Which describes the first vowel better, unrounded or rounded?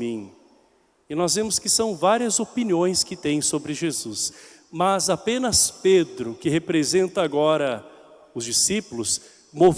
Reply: unrounded